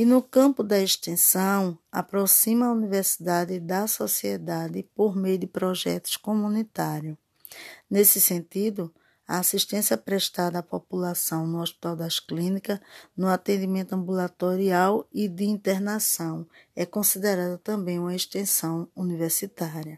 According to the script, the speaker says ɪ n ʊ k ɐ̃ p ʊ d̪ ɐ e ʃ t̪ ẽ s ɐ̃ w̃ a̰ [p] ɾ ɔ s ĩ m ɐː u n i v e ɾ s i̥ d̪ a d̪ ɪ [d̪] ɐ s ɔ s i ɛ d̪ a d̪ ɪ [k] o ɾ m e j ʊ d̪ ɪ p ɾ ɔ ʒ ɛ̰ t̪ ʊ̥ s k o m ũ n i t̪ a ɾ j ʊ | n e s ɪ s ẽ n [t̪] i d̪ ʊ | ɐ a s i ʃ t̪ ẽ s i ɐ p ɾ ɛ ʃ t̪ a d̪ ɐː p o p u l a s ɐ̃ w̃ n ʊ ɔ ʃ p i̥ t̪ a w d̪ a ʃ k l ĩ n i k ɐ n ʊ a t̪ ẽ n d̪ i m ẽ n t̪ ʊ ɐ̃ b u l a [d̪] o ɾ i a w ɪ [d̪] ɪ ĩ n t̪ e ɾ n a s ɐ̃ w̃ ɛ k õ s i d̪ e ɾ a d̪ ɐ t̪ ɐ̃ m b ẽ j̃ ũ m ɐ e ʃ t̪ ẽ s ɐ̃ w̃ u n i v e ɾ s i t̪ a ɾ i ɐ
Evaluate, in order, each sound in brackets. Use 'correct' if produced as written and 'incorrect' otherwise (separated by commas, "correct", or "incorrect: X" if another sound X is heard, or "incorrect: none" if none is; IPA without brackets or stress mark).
correct, correct, incorrect: p, correct, incorrect: t̪, correct